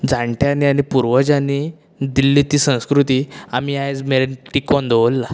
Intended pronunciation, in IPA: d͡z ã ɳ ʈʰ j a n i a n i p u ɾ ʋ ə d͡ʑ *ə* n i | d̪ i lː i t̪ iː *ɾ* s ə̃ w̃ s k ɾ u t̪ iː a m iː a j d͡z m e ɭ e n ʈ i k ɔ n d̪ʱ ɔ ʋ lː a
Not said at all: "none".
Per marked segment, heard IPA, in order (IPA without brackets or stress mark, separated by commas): a, none